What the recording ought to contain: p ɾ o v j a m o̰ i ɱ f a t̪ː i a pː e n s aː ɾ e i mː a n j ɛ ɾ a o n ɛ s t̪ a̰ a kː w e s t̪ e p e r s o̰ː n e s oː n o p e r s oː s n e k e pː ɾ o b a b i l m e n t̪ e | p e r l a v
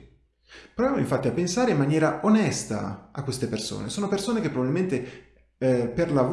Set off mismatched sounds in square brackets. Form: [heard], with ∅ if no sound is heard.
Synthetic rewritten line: p ɾ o v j a m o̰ i ɱ f a t̪ː i a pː e n s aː ɾ e i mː a n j [ɛː] ɾ a o n ɛ s t̪ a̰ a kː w e s t̪ e p e r s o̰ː n e s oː n o p e r s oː [∅] n e k e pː ɾ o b a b i l m e n t̪ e | p e r l a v